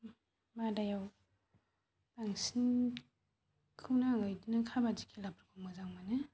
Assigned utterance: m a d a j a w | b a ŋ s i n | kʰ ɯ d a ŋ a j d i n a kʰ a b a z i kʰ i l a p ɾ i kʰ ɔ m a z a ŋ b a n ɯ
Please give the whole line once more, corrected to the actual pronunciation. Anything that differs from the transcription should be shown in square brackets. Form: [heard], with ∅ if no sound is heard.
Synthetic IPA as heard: m a d a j a w | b a ŋ s i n | kʰ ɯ [n] a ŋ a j d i n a kʰ a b a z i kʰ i l a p ɾ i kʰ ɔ m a z a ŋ [m] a n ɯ